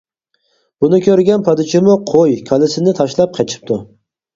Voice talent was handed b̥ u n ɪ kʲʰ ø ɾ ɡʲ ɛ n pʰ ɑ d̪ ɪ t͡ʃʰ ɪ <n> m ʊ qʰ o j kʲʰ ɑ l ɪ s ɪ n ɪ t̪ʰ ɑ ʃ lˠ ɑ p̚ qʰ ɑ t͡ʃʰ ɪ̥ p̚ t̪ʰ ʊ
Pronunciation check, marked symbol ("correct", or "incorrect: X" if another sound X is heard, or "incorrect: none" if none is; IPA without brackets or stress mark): incorrect: none